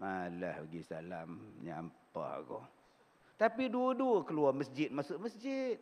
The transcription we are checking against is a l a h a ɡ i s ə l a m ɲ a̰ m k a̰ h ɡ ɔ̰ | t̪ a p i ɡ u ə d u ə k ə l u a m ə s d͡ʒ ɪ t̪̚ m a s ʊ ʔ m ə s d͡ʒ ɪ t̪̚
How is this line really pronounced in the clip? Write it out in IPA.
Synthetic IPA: a l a h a ɡ i s a l a m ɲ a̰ m p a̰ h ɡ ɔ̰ | t̪ a p i d u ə d u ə k ə l u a m ə s d͡ʒ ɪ t̪̚ m a s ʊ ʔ m ə s d͡ʒ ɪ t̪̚